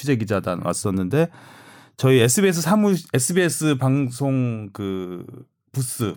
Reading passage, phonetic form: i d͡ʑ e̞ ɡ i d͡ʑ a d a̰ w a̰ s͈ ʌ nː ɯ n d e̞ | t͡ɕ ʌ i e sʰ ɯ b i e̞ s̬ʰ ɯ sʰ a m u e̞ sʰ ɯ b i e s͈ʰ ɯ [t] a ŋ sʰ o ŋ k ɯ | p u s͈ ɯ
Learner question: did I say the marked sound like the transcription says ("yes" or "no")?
no